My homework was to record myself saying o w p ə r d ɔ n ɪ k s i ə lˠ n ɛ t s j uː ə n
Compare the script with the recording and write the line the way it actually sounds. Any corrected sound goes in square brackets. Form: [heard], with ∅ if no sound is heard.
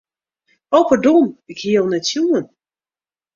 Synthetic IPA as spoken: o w p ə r d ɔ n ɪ k [h] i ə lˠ n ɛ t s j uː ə n